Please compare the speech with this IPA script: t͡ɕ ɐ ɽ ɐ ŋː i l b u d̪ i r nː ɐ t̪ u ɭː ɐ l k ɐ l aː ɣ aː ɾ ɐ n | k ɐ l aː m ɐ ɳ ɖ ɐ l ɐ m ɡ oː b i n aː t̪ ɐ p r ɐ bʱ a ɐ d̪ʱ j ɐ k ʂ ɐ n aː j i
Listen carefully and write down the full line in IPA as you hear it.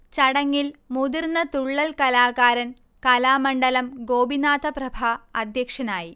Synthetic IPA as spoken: t͡ɕ ɐ ɽ ɐ ŋː i l m u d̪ i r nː ɐ t̪ u ɭː ɐ l k ɐ l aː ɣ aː ɾ ɐ n | k ɐ l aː m ɐ ɳ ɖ ɐ l ɐ m ɡ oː b i n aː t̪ ɐ p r ɐ bʱ a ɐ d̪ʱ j ɐ k ʂ ɐ n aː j i